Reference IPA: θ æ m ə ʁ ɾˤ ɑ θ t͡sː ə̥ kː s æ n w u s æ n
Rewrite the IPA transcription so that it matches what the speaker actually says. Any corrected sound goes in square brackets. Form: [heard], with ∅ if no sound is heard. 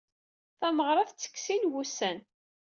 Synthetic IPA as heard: θ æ m ə ʁ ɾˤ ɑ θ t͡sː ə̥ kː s [i] n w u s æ n